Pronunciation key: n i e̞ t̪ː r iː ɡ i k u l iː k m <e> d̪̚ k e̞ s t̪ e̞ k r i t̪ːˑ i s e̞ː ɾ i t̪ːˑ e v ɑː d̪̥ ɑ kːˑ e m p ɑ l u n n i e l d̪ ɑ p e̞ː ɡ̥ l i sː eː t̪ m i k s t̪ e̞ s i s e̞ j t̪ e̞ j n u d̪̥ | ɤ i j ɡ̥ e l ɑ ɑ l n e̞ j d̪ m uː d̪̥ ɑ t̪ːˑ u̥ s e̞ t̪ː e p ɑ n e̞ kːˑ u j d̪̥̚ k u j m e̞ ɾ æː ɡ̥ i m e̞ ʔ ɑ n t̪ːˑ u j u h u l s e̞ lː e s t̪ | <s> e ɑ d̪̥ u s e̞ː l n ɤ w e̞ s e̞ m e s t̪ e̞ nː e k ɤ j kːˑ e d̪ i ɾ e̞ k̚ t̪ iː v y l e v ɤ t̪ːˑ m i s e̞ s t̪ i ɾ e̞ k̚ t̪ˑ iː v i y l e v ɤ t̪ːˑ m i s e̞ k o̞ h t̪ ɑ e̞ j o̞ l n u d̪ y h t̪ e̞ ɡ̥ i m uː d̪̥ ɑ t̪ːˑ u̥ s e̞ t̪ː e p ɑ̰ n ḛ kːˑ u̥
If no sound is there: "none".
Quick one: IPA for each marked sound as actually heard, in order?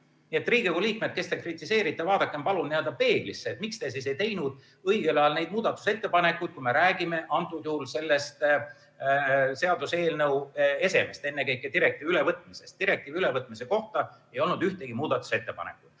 e, s

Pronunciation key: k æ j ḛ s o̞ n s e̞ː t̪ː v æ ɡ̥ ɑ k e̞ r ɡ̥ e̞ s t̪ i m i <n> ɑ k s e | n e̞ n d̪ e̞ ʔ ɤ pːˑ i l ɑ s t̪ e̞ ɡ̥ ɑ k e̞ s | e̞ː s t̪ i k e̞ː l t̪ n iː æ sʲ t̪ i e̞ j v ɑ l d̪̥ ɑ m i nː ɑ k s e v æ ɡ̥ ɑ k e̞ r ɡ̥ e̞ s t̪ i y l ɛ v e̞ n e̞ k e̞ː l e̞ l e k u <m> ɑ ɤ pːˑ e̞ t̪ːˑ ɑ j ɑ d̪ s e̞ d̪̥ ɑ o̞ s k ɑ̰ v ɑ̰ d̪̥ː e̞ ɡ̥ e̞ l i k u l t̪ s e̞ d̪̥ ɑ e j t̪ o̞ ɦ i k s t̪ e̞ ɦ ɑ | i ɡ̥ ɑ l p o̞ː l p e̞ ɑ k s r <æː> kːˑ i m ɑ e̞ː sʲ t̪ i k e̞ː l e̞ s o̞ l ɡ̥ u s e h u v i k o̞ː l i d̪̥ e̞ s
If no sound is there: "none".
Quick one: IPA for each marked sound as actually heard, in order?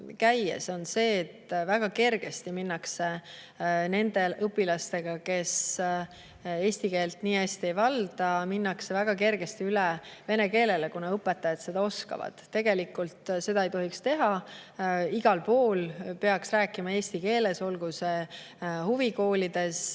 nː, n, æː

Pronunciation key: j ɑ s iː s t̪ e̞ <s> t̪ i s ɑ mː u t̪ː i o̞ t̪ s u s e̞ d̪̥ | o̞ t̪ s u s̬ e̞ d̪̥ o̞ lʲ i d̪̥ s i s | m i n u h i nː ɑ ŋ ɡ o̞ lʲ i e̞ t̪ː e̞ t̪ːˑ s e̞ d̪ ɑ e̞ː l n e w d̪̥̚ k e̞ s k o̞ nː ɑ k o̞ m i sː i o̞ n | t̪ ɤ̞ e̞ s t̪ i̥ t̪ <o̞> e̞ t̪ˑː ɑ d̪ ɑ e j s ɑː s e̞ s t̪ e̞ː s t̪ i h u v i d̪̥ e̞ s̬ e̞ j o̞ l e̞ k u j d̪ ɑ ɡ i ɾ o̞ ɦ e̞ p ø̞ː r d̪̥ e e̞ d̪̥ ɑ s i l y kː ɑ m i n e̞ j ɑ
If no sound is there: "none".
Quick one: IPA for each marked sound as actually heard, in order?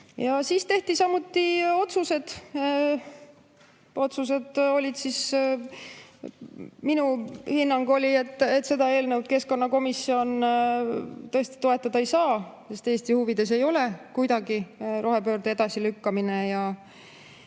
h, o̞

